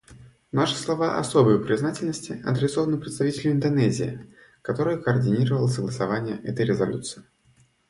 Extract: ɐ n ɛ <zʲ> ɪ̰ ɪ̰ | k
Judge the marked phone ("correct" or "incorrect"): correct